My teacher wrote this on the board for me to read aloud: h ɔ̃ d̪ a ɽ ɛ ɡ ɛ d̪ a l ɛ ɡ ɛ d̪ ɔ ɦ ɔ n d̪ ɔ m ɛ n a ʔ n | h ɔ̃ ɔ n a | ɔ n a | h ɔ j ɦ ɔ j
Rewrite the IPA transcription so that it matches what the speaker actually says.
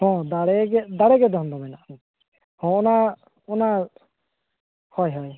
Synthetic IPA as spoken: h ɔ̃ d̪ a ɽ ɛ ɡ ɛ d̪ a ɽ ɛ ɡ ɛ d̪ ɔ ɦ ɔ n d̪ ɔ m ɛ n a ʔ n | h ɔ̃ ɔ n a | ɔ n a | h ɔ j ɦ ɔ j